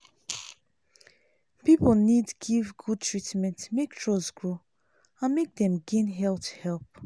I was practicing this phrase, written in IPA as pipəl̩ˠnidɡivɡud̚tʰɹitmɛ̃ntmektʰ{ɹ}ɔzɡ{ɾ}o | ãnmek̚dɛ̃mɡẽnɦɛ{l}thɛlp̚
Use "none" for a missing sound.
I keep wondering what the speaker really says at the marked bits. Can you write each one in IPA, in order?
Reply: ɹ, ɹ, l

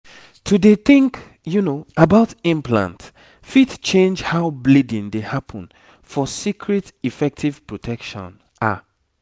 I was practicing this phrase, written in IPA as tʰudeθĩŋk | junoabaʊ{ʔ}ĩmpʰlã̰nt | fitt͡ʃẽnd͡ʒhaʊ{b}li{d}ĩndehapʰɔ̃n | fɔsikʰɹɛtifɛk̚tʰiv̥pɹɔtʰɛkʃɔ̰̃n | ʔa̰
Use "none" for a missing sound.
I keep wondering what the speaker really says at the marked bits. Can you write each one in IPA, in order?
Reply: t, b, d

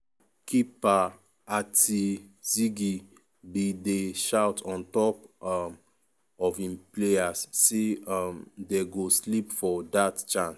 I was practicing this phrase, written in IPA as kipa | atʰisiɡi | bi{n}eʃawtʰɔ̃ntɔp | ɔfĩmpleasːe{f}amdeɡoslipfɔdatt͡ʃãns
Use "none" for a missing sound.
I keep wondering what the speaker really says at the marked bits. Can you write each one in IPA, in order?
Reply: d, none

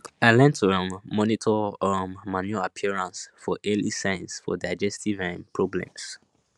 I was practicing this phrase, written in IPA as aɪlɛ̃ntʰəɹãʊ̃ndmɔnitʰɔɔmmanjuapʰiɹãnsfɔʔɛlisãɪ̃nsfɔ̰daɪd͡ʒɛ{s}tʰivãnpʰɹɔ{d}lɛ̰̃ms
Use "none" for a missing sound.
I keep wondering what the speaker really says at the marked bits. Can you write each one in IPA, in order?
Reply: s, b

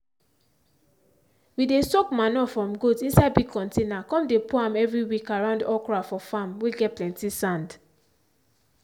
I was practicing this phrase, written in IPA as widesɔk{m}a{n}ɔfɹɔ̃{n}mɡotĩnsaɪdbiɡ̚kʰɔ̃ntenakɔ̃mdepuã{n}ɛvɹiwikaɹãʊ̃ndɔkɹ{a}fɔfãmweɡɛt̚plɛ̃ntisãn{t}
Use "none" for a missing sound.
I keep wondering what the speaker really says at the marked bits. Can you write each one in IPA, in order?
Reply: m, n, none, m, a, d

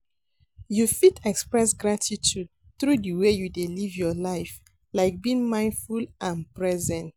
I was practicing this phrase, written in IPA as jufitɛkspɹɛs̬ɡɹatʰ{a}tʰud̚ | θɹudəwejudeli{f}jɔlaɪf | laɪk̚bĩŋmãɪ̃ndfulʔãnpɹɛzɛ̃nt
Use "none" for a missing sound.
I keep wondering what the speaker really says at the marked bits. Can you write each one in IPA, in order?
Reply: i, v

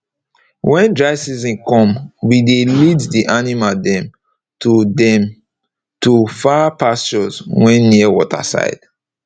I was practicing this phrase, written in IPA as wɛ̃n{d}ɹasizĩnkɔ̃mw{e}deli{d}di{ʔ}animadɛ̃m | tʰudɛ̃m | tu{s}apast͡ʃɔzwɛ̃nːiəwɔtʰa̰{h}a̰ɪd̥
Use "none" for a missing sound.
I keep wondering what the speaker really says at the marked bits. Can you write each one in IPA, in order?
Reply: d, i, d, ʔ, f, s

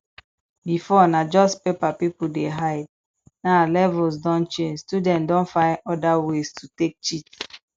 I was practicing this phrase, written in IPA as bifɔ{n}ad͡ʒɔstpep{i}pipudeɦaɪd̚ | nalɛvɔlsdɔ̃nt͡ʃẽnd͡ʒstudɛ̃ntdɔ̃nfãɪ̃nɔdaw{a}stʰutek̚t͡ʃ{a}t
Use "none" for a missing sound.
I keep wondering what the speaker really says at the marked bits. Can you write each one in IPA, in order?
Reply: n, a, e, i

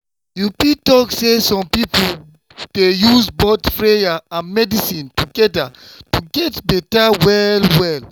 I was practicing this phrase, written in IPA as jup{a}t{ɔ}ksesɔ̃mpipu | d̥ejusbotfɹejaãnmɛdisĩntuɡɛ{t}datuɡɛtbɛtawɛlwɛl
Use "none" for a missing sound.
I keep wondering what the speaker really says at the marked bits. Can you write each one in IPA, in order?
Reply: i, ɔ, none

